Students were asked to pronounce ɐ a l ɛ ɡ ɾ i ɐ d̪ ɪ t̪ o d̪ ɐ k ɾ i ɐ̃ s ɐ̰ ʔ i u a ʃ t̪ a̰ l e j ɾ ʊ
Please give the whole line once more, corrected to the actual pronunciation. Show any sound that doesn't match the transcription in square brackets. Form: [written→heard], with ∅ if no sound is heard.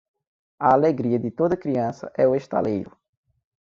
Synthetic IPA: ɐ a l [ɛ→e] ɡ ɾ i ɐ d̪ ɪ t̪ o d̪ ɐ k ɾ i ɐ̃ s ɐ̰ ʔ [i→ɛ] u [a→e] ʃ t̪ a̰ l e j ɾ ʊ